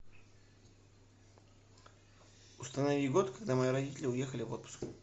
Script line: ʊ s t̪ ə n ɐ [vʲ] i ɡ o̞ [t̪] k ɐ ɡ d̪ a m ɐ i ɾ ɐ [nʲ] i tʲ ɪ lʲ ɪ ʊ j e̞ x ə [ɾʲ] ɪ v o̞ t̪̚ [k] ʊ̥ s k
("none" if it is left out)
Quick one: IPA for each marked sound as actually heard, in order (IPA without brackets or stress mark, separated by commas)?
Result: vʲ, t̪, dʲ, lʲ, p